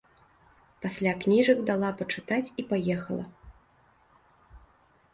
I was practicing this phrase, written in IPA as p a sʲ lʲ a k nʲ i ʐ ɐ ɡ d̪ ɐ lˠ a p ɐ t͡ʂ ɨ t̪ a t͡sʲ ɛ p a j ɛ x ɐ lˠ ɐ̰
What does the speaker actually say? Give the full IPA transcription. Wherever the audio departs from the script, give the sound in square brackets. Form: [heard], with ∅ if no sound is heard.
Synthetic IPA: p a sʲ lʲ a k nʲ i ʐ ɐ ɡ d̪ [a] lˠ a p ɐ t͡ʂ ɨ t̪ a t͡sʲ [i] p a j ɛ x ɐ lˠ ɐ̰